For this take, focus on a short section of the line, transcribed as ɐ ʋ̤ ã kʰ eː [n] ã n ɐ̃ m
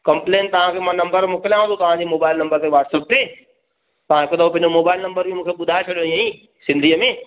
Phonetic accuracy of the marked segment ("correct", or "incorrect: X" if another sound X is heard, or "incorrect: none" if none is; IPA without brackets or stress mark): incorrect: m